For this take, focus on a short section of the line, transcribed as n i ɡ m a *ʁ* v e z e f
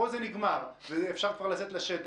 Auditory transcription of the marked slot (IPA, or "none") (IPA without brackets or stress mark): ʁ